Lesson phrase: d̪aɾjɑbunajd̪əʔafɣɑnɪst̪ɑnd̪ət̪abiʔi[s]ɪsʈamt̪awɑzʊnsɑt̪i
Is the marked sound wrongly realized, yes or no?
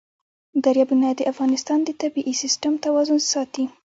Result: no